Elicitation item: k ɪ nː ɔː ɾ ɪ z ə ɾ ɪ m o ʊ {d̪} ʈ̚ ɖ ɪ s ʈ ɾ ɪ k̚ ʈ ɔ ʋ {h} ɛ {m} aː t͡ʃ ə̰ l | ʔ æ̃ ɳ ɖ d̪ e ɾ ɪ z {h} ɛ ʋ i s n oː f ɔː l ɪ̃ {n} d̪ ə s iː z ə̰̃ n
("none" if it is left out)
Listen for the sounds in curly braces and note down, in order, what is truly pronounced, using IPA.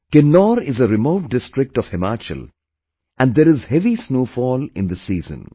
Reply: none, h, m, h, n

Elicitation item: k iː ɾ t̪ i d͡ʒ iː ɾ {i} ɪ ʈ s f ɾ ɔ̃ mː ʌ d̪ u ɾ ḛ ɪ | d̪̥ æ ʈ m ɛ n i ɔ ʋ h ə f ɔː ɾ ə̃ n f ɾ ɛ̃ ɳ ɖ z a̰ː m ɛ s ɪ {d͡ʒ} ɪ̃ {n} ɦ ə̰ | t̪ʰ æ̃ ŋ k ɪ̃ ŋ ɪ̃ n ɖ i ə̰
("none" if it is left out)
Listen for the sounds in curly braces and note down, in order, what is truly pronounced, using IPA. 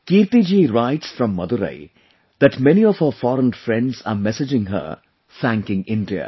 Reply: a, d͡ʒ, ŋ

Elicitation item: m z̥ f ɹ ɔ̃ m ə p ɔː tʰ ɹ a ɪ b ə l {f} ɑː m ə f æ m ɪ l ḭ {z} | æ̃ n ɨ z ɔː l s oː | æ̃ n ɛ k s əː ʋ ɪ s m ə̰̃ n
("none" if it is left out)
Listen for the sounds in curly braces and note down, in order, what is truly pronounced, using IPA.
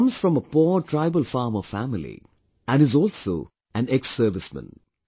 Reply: f, none

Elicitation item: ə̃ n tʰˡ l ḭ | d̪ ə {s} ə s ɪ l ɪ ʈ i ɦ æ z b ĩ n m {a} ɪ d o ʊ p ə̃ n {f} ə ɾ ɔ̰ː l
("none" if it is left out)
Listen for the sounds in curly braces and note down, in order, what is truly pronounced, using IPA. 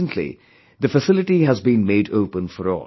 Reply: f, e, f

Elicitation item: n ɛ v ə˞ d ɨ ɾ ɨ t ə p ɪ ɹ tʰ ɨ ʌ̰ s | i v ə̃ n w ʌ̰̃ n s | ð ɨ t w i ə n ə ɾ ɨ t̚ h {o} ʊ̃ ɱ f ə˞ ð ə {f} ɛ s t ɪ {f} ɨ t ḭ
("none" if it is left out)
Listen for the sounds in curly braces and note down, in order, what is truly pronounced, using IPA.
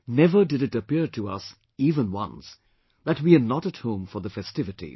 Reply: õ, f, v

